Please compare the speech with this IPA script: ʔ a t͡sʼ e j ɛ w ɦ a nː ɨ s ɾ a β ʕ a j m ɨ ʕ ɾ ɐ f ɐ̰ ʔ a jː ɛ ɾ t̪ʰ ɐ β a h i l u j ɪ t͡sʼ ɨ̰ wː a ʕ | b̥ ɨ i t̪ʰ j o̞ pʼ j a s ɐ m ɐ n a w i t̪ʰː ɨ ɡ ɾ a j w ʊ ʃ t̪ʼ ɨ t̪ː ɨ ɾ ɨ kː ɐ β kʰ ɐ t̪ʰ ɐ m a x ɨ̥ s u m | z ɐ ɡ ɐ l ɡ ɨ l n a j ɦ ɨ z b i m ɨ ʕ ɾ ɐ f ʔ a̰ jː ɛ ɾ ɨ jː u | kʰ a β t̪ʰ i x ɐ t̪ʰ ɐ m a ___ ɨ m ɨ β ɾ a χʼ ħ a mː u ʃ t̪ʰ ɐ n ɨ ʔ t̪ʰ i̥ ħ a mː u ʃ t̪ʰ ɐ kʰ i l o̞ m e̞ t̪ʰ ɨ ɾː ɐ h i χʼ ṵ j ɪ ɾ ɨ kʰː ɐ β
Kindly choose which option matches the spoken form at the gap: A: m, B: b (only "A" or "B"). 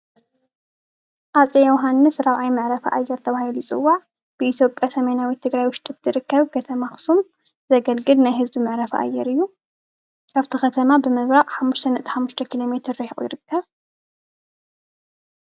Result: B